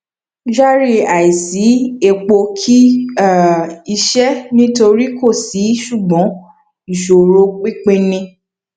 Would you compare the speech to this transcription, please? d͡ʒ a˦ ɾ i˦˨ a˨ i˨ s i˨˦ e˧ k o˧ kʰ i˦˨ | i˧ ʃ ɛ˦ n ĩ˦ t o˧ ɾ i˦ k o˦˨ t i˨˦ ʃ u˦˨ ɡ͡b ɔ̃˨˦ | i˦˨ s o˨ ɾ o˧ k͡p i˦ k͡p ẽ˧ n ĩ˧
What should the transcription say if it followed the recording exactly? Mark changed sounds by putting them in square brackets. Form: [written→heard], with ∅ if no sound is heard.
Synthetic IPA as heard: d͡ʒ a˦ ɾ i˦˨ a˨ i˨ s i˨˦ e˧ [k→k͡p] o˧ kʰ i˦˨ | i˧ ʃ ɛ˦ n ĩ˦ t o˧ ɾ i˦ k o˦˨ [t→s] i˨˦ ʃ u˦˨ ɡ͡b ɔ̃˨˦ | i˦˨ [s→ʃ] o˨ ɾ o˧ k͡p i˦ k͡p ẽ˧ n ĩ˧